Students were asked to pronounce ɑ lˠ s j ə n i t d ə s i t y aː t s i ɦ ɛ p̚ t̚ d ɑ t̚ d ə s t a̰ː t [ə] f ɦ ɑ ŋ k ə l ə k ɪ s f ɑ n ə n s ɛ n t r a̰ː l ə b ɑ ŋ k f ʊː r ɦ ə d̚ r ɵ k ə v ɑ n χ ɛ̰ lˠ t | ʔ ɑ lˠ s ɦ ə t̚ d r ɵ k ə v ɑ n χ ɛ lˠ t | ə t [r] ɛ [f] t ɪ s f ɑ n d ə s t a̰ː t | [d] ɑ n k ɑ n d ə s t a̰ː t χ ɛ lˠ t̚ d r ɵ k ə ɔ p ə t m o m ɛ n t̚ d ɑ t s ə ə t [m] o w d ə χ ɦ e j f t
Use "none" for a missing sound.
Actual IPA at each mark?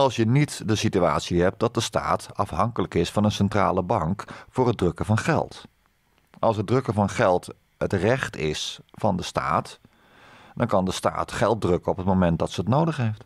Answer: ɑ, r, χ, d, n

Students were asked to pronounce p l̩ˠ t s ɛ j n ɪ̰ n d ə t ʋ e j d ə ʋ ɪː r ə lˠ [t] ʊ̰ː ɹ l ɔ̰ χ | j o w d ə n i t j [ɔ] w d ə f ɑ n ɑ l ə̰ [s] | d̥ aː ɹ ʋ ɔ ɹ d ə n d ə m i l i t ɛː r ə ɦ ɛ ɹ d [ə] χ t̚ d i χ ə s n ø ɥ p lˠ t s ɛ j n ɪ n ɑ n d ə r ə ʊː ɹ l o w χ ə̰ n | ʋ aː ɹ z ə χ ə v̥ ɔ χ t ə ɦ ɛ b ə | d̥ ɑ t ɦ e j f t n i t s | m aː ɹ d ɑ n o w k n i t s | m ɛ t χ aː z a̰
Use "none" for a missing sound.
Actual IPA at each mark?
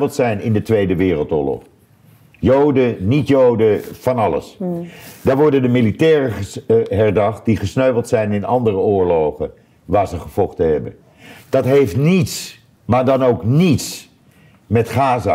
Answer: t, o, s, ɑ

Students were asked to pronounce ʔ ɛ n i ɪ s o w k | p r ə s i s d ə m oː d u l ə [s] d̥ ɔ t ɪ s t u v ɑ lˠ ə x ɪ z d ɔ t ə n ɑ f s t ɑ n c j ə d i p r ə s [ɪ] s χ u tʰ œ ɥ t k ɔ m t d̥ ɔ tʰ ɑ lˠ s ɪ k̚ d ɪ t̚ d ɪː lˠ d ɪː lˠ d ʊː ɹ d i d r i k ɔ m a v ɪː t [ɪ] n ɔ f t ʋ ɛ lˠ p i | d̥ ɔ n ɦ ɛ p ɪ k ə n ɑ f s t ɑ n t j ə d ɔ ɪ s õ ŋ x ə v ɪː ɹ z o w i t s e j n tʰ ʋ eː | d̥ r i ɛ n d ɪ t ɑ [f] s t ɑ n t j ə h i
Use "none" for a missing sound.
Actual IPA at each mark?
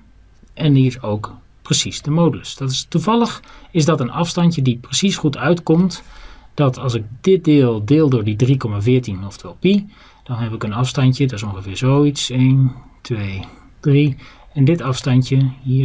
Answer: s, i, i, f

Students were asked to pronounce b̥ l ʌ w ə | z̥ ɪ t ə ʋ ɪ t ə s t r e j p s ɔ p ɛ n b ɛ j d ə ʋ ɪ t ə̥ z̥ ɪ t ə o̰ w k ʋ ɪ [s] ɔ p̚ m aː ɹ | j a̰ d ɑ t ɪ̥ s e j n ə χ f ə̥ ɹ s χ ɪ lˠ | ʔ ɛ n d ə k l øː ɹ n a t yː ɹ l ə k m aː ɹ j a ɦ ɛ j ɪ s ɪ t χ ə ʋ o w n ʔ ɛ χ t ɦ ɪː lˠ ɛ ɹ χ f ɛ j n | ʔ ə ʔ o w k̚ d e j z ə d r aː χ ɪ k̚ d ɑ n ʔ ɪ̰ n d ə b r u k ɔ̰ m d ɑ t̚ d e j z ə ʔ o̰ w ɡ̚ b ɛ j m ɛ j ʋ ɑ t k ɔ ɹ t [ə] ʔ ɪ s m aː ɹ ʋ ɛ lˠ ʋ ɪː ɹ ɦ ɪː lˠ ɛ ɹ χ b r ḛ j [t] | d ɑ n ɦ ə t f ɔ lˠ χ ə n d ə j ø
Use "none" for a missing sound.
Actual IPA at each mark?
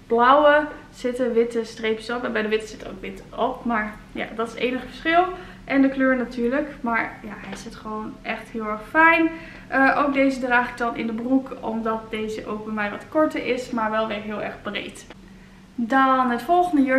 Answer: t, ə, t

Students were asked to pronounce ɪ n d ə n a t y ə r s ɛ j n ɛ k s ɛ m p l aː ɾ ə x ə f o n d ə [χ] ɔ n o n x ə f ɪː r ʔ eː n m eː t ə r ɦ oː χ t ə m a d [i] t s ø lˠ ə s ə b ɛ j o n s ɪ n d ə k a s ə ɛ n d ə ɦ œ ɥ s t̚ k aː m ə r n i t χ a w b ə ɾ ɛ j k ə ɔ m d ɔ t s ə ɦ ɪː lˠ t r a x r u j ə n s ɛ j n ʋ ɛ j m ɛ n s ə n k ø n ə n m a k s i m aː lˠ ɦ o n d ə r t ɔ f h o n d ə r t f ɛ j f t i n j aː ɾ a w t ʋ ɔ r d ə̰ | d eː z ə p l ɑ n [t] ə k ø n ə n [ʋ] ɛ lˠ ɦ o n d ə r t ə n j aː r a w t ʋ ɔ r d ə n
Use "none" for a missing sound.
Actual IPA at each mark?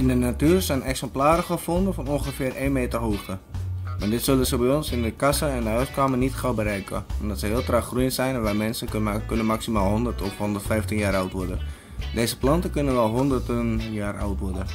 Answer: f, ɪ, t, ʋ

